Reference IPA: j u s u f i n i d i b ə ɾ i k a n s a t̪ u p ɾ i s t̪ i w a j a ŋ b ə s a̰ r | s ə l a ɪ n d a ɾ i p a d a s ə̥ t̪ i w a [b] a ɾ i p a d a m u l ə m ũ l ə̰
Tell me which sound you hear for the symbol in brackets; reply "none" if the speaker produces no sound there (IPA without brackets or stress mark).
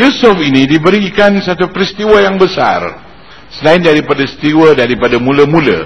d